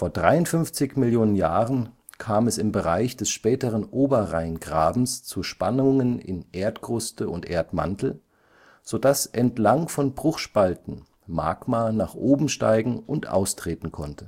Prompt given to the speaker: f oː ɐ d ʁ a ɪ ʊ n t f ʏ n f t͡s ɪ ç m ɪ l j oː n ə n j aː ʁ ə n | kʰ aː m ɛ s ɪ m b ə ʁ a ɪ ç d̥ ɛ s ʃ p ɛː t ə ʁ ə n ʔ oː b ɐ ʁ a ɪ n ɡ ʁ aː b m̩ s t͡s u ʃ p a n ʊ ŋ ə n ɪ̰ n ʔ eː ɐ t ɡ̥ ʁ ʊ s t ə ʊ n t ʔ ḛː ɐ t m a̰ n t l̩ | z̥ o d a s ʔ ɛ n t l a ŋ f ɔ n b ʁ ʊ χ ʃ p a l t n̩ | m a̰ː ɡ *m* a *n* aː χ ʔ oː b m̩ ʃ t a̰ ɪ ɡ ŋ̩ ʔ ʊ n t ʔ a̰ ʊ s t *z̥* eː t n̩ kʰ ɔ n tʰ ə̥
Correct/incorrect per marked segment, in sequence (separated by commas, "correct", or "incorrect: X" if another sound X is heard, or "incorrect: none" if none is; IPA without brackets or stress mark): correct, correct, incorrect: ʁ̥